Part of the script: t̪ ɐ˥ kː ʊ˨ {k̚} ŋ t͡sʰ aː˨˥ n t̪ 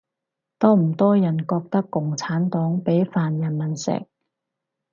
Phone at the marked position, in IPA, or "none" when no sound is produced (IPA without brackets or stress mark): none